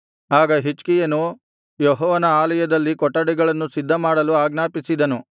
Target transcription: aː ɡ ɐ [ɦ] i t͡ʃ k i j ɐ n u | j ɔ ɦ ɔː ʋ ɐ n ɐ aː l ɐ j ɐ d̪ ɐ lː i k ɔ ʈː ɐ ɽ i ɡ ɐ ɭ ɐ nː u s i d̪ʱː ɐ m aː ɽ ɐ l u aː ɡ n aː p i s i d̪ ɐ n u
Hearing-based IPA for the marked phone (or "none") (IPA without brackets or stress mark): ɦ